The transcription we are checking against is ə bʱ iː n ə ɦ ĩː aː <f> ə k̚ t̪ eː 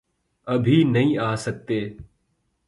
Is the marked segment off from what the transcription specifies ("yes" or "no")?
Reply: yes